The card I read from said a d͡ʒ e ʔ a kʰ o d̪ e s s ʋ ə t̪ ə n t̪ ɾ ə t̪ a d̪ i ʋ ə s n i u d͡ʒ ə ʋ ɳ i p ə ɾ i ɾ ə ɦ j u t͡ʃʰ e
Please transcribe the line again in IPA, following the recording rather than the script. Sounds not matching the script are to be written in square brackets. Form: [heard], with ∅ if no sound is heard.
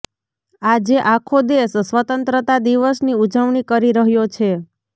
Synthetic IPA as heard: a d͡ʒ e ʔ a kʰ o d̪ e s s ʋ ə t̪ ə n t̪ ɾ ə t̪ a d̪ i ʋ ə s n i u d͡ʒ ə ʋ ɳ i [k] ə ɾ i ɾ ə ɦ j [o] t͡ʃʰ e